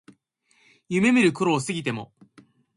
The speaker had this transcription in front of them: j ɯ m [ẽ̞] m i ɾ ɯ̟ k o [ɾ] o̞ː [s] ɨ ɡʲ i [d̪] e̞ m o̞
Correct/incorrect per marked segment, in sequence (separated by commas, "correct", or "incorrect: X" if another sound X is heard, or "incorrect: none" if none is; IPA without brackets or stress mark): incorrect: e̞, correct, correct, incorrect: t̪